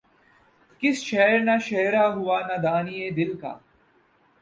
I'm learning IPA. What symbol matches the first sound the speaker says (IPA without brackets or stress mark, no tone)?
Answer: k